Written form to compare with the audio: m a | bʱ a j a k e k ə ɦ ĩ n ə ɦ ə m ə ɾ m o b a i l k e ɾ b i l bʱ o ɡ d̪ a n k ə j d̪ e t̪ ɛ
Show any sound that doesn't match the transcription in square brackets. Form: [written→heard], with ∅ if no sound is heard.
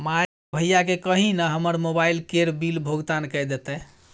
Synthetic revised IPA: m a | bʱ [a→ə] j a k e k ə ɦ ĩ n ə ɦ ə m ə ɾ m o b a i l k e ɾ b i l bʱ o ɡ [d̪→t̪] a n k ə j d̪ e t̪ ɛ